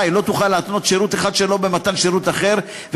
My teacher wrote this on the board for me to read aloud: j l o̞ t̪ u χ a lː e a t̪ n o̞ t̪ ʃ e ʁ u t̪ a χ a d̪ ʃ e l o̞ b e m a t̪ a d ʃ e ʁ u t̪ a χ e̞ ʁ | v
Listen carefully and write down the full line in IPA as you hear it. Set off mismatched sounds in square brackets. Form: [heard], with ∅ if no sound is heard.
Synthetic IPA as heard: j l o̞ t̪ u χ a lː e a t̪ n o̞ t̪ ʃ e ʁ u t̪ [e] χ a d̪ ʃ e l o̞ b e m a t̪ a [n] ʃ e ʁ u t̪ a χ e̞ ʁ | v